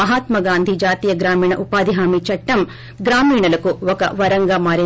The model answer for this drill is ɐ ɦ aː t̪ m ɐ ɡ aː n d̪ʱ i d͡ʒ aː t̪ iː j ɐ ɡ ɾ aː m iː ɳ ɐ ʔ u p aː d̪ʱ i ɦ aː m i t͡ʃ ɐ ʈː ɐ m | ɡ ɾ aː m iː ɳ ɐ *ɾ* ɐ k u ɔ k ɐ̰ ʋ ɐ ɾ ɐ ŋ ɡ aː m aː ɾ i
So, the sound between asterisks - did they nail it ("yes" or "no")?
no